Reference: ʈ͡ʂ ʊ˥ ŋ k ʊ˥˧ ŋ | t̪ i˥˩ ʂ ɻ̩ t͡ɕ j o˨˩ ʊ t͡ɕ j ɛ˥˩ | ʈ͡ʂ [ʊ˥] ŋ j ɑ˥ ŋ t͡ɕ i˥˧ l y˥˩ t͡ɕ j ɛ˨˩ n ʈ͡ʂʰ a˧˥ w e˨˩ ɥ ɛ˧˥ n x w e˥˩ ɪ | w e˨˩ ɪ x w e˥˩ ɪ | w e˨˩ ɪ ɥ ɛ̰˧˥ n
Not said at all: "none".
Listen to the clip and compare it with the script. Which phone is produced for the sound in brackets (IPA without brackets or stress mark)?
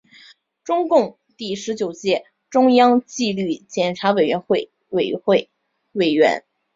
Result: ʊ˥